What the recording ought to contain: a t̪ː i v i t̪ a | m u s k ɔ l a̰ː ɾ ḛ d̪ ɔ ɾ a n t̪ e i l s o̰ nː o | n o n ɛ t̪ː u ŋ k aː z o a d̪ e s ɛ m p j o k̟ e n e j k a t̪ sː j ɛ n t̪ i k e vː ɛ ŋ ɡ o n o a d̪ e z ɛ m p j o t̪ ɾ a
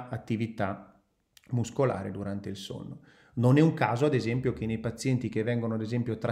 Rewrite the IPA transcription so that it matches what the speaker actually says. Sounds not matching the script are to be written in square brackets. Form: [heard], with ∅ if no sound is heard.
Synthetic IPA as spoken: a t̪ː i v i t̪ a | m u s k [o] l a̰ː ɾ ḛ d̪ [u] ɾ a n t̪ e i l s o̰ nː o | n o n ɛ [∅] u ŋ k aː z o a d̪ e [z] ɛ m p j o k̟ e n e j [p] a t̪ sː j ɛ n t̪ i k e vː ɛ ŋ ɡ o n o a d̪ e z ɛ m p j o t̪ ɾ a